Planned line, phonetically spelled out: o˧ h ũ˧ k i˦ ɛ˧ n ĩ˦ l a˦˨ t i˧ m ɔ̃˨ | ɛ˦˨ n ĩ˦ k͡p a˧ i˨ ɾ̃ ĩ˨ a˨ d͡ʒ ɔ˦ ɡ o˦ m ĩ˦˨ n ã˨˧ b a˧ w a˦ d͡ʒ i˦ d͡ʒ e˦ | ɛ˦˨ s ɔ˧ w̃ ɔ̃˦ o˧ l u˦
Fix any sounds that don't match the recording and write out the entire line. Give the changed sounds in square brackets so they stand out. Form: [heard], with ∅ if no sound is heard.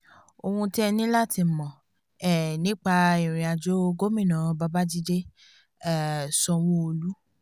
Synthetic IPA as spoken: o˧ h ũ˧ [t] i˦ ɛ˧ n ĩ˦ l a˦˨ t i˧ m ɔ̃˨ | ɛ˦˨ n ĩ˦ k͡p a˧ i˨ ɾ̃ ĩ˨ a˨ d͡ʒ [o˦] ɡ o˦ m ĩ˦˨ n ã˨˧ b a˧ [b] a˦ d͡ʒ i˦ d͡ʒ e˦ | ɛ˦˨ s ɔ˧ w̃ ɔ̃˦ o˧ l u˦